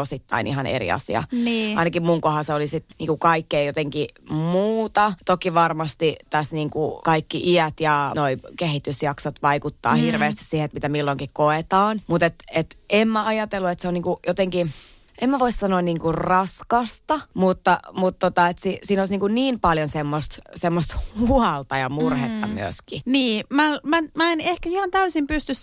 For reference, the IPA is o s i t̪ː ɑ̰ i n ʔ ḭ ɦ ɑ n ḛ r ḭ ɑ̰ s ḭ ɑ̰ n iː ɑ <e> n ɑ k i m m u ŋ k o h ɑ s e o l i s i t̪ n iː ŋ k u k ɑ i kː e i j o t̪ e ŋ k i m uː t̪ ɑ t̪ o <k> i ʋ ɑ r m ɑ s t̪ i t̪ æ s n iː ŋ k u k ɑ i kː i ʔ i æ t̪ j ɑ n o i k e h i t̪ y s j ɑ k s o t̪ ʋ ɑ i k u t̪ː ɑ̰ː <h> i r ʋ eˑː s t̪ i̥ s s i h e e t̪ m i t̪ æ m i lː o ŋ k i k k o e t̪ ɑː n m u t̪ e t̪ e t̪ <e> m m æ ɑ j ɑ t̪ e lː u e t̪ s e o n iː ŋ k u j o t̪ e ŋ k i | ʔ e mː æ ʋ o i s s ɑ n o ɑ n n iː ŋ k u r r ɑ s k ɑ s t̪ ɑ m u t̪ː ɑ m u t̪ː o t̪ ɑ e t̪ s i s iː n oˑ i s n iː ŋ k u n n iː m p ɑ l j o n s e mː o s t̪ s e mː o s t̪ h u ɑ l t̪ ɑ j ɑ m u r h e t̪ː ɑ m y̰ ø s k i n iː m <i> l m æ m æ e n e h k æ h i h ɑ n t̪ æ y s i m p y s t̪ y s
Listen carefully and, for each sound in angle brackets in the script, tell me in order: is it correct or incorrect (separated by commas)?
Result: incorrect, correct, correct, correct, incorrect